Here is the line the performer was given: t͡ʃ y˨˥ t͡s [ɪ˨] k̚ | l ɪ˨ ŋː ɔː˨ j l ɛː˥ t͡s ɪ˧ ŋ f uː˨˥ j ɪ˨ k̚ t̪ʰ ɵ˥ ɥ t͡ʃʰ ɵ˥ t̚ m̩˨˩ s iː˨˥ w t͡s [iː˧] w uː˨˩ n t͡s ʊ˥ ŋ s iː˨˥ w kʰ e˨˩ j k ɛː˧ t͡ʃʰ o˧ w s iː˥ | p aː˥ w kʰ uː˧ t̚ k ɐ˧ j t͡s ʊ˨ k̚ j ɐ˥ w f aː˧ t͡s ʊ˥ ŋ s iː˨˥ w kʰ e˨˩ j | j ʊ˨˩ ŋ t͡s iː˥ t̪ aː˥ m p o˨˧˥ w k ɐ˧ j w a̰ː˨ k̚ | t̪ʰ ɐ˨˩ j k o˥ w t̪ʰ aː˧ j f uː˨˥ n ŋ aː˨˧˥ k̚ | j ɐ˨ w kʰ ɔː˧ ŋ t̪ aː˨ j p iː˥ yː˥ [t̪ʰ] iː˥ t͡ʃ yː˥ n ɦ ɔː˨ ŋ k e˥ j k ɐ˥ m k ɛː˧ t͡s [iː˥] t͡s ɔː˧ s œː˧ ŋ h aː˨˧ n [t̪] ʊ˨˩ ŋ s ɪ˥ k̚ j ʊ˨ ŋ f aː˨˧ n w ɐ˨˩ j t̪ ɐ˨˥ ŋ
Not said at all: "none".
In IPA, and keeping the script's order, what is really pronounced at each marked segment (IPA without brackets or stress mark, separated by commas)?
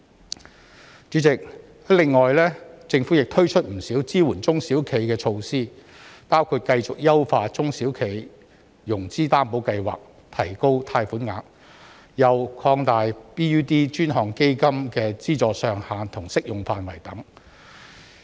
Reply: ɪ˨, iː˥, t̪, iː˥, t̪ʰ